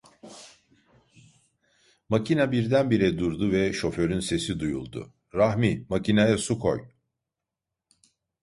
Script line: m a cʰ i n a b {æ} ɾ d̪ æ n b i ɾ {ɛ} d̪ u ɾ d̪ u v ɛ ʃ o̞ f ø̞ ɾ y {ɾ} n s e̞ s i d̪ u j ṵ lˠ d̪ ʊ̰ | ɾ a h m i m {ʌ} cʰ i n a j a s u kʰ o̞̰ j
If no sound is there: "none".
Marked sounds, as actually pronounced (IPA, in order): i, ɛ, none, a

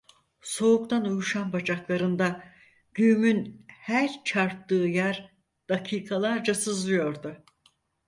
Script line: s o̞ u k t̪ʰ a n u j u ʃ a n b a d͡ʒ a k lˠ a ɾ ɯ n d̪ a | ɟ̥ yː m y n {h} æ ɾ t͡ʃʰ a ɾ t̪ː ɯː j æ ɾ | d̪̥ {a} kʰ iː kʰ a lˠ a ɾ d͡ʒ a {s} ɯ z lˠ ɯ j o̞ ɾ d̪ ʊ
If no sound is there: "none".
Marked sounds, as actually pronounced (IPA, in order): h, a, s

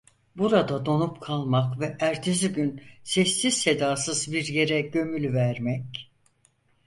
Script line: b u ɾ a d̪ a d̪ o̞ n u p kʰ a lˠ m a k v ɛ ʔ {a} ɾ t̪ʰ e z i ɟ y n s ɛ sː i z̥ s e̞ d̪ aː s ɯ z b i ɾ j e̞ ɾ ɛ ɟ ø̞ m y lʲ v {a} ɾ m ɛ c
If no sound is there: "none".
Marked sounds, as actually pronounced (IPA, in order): æ, æ

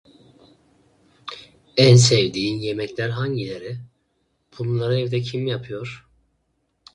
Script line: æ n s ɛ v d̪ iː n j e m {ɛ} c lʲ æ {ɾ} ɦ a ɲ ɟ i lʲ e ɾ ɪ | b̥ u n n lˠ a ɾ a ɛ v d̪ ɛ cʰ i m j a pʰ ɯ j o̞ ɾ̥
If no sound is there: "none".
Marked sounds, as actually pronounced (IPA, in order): ɛ, ɾ

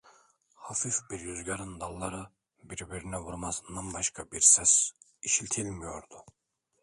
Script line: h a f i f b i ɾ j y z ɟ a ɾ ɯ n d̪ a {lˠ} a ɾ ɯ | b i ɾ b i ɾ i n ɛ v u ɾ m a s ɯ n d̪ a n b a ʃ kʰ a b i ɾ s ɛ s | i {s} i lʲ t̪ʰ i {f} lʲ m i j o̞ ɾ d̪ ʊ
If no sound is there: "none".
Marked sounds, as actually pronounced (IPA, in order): lˠː, ʃ, none

